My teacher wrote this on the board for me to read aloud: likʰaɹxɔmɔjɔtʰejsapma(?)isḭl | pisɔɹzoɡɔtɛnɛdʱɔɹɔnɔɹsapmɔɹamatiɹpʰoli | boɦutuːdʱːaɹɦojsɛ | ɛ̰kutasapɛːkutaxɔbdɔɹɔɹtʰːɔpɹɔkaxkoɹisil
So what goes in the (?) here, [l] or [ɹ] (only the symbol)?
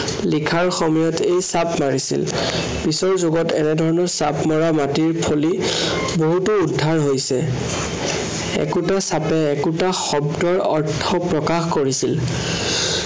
ɹ